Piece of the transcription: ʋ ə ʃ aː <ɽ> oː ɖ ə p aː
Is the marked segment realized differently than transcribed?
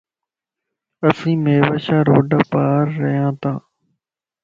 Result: yes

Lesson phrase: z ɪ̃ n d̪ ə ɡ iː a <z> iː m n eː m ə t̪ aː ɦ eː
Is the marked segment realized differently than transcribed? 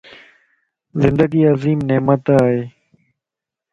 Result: no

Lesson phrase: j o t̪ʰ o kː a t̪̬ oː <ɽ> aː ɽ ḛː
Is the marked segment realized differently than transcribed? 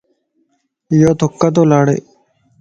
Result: yes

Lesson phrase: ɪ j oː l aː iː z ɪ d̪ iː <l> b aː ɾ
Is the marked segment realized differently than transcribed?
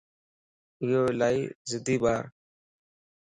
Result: yes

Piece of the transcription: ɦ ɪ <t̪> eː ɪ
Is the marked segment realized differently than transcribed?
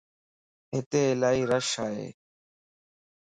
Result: no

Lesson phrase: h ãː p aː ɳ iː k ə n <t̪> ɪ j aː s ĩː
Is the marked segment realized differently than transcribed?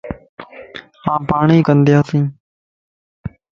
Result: yes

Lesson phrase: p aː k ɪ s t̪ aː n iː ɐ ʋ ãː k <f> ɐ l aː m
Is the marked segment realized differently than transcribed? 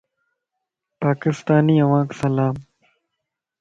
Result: yes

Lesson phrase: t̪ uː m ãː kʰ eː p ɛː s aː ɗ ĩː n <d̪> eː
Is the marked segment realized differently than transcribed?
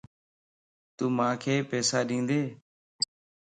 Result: no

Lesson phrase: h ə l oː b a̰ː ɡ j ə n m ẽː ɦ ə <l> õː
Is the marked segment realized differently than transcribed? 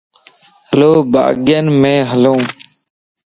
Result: no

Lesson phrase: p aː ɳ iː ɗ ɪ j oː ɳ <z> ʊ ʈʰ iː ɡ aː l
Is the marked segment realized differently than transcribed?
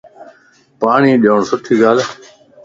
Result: yes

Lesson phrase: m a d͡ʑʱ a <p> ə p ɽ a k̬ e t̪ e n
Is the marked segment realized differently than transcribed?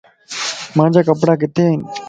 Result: yes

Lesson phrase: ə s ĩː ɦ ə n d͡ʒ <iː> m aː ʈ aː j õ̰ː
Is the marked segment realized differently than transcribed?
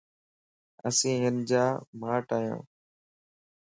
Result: yes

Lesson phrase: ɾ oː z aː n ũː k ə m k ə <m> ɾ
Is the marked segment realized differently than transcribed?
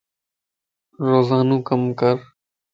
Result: yes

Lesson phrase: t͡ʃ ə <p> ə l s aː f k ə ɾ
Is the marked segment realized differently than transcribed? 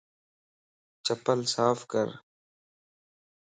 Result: no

